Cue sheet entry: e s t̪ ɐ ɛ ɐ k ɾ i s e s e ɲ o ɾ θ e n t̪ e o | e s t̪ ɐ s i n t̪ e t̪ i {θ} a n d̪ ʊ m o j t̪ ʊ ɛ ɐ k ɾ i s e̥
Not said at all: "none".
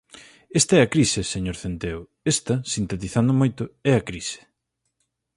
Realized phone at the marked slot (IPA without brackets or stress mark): θ